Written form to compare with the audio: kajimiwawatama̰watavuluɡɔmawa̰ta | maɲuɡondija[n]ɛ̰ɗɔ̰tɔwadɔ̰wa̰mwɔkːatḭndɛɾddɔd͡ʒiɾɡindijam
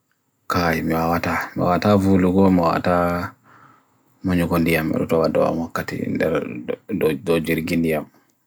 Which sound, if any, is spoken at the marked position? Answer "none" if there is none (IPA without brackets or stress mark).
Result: m